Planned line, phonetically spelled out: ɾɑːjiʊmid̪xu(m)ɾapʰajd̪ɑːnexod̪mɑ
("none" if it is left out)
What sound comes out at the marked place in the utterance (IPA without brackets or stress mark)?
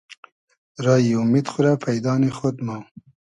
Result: none